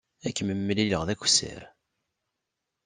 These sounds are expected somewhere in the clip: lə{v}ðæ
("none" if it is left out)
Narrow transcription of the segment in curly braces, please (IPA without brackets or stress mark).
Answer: ʁ